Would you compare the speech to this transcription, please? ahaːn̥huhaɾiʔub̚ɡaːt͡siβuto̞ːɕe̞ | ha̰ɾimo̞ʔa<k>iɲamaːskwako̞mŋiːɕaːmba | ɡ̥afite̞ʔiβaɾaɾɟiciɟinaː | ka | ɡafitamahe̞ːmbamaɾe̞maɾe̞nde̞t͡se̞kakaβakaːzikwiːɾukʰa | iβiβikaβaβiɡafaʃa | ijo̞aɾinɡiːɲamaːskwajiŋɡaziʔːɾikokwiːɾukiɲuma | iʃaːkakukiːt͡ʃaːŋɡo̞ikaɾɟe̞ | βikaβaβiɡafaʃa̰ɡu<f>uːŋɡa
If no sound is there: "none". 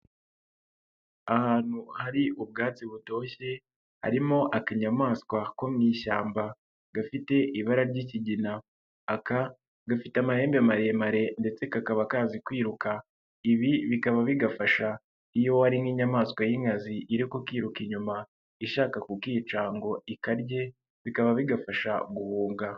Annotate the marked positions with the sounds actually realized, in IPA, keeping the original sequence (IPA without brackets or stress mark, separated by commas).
k, h